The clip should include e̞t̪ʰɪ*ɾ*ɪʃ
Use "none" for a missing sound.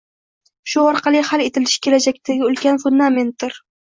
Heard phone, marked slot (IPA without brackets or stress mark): l